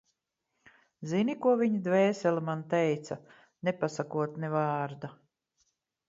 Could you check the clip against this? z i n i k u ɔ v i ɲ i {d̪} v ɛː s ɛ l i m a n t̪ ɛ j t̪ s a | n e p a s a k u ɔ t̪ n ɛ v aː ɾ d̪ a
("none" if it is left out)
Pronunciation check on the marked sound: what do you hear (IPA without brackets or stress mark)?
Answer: d̪